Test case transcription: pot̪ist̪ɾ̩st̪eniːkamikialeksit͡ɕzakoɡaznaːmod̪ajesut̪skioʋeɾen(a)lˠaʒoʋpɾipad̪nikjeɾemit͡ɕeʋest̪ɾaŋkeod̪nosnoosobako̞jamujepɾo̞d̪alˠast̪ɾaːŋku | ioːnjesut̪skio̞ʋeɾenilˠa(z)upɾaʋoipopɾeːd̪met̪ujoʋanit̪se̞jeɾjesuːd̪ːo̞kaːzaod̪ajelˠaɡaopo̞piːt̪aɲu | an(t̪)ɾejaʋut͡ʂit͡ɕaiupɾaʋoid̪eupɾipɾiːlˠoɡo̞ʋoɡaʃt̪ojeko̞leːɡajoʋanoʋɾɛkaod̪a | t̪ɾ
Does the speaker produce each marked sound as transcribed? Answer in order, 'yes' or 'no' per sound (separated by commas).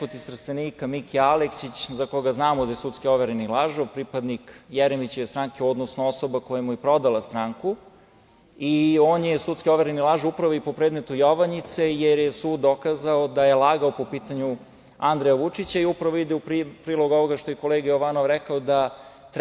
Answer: no, no, no